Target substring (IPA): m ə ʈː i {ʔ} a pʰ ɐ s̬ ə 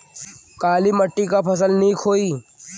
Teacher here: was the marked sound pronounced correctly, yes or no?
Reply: no